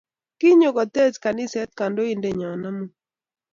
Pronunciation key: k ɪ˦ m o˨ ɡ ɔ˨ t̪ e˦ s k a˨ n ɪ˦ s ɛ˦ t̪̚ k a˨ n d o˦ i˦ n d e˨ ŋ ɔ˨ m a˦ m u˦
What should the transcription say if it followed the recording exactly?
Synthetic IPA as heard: k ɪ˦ ɲ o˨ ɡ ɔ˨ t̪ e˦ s k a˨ n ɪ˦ s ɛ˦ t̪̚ k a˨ n d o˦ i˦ n d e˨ ɲ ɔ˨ n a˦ m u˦